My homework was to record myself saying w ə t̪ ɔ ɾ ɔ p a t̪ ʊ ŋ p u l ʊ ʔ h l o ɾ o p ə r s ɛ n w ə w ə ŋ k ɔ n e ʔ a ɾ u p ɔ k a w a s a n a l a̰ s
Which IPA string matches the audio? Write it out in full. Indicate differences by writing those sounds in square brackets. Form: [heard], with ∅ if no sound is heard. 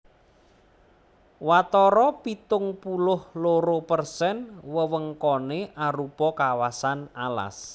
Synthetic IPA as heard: w [a] t̪ ɔ ɾ ɔ p [i] t̪ ʊ ŋ p u l ʊ [∅] h l o ɾ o p ə r s ɛ n w ə w ə ŋ k ɔ n e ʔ a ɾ u p ɔ k a w a s a n a l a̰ s